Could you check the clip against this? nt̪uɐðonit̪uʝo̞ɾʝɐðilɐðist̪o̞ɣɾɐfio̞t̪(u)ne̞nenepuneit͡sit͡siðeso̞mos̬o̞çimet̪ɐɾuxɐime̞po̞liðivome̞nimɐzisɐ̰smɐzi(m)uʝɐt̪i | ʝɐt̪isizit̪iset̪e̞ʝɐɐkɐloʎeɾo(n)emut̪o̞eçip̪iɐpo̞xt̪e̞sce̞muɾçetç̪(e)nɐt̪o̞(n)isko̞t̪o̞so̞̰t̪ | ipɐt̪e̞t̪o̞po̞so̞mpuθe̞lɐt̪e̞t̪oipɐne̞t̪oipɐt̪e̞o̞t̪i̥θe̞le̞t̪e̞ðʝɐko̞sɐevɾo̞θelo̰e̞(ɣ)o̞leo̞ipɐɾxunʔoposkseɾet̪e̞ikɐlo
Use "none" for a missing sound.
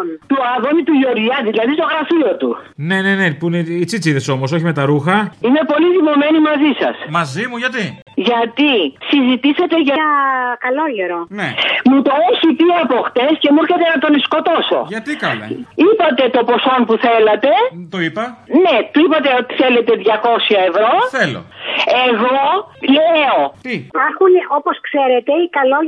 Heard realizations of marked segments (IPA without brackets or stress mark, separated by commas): u, m, n, e, n, ɣ